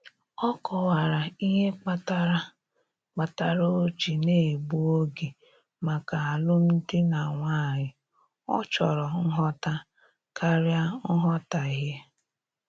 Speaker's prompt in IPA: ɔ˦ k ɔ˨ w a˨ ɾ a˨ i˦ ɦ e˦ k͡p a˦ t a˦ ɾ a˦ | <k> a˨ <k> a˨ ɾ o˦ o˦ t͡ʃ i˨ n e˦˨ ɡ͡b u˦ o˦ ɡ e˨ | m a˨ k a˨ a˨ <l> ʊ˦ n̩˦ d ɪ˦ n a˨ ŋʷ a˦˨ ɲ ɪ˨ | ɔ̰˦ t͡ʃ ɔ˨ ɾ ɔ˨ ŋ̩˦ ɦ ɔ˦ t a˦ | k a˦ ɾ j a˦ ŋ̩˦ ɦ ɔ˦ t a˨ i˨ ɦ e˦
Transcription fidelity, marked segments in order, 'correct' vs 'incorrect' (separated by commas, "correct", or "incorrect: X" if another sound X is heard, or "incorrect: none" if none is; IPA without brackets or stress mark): incorrect: k͡p, incorrect: t, correct